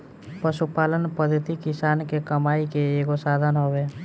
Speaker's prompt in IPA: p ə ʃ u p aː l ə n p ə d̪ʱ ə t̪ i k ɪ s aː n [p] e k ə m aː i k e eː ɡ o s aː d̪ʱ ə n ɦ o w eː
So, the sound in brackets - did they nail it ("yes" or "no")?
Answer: no